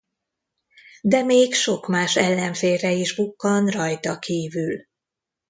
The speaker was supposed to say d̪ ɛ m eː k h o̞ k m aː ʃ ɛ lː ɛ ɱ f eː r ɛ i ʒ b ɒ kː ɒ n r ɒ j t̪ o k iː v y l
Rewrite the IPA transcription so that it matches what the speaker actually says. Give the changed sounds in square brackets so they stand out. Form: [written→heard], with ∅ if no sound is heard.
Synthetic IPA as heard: d̪ ɛ m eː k [h→ʃ] o̞ k m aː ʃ ɛ lː ɛ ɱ f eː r ɛ i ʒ b [ɒ→u] kː ɒ n r ɒ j t̪ [o→ɒ] k iː v y l

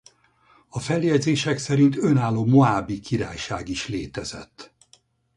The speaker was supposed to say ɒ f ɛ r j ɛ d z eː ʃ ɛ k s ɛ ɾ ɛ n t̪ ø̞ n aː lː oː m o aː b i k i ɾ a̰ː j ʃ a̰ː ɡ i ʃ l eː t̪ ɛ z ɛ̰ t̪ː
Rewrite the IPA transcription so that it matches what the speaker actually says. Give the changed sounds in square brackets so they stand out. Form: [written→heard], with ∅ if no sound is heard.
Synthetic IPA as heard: ɒ f ɛ [r→l] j ɛ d z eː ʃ ɛ k s ɛ ɾ [ɛ→i] n t̪ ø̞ n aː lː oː m o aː b i k i ɾ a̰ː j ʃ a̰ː ɡ i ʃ l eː t̪ ɛ z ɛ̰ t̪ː

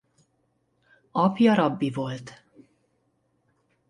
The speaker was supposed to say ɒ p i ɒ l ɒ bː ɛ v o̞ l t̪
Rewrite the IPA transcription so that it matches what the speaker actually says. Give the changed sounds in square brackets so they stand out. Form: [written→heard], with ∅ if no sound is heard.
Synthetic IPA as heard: ɒ p [i→j] ɒ [l→ɾ] ɒ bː [ɛ→i] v o̞ l t̪

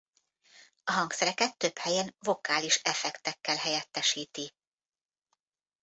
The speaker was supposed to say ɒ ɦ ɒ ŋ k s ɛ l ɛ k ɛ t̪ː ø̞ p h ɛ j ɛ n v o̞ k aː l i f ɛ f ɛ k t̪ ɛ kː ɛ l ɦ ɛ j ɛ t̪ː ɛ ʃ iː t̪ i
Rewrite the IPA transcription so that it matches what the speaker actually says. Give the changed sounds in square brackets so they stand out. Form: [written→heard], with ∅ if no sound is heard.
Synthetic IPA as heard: ɒ ɦ ɒ ŋ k s ɛ [l→ɾ] ɛ k ɛ t̪ː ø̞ p h ɛ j ɛ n v o̞ k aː l i [f→ʃ] ɛ f ɛ k t̪ ɛ kː ɛ l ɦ ɛ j ɛ t̪ː ɛ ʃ iː t̪ i

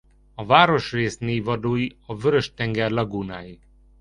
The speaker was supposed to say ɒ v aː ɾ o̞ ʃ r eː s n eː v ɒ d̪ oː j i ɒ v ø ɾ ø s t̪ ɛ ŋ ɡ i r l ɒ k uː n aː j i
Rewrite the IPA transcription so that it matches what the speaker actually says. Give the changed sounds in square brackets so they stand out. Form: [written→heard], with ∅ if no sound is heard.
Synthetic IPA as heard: ɒ v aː ɾ o̞ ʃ r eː s n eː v ɒ d̪ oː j i ɒ v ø ɾ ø [s→ʃ] t̪ ɛ ŋ ɡ [i→ɛ] r l ɒ [k→ɡ] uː n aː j i

